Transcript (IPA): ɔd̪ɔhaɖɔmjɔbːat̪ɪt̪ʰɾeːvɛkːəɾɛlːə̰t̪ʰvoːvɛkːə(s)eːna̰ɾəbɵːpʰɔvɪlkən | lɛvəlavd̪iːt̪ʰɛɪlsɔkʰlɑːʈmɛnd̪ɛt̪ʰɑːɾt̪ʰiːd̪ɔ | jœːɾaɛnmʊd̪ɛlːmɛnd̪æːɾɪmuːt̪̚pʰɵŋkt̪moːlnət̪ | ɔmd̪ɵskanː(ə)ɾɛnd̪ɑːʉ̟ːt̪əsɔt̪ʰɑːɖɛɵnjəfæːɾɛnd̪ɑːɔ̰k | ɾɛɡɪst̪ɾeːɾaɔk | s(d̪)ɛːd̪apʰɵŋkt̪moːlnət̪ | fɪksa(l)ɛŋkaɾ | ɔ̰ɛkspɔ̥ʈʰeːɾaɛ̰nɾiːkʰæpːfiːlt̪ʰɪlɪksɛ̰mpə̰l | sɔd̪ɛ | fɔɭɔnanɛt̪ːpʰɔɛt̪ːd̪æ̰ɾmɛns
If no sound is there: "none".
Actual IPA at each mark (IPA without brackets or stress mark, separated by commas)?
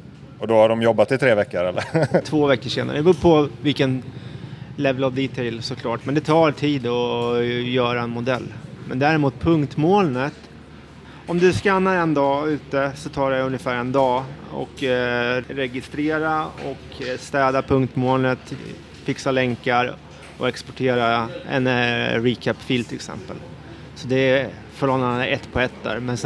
ʂ, a, t̪, l